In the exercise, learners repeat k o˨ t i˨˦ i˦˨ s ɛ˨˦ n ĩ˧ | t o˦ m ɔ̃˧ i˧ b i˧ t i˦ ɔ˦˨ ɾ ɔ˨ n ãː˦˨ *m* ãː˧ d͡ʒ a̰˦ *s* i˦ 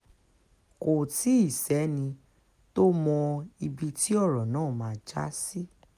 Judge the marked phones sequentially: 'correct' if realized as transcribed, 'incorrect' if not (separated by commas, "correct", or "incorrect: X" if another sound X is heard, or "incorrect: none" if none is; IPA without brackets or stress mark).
correct, correct